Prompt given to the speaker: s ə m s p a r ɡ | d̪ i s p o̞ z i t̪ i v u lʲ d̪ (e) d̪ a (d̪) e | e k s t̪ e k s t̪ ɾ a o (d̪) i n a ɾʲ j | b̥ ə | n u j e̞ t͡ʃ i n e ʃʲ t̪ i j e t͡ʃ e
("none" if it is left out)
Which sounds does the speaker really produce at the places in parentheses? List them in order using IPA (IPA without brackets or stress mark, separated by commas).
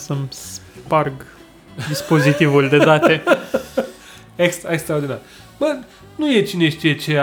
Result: e, t̪, d̪